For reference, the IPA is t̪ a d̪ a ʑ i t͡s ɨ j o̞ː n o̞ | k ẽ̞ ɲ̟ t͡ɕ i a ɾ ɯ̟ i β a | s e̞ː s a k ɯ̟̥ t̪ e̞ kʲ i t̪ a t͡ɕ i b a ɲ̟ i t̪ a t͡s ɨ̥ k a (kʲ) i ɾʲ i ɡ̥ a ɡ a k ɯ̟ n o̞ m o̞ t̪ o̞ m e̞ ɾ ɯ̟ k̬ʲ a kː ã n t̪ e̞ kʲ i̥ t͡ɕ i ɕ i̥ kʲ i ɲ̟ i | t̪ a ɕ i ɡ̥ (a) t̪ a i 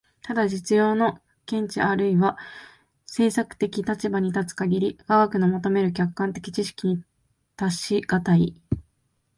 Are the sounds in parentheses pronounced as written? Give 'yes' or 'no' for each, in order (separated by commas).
no, yes